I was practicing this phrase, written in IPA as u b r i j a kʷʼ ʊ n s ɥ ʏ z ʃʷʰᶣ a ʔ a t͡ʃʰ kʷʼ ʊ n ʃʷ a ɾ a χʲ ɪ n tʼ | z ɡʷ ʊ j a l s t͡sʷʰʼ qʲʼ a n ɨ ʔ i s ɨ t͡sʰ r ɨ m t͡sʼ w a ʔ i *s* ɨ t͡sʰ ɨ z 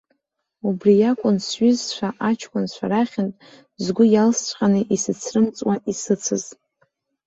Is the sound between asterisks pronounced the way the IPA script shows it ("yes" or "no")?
yes